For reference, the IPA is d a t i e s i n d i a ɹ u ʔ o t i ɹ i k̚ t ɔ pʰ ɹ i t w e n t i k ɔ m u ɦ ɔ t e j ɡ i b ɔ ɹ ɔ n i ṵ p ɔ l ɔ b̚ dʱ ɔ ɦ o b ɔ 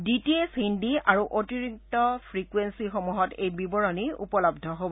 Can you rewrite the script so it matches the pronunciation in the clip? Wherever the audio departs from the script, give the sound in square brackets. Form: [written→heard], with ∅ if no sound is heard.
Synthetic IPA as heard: d [a→i] t i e s i n d i a ɹ u ʔ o t i ɹ i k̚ t ɔ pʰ ɹ i [t→k] w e n [t→s] i [k→x] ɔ m u ɦ ɔ t e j [ɡ→b] i b ɔ ɹ ɔ n i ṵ p ɔ l ɔ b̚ dʱ ɔ ɦ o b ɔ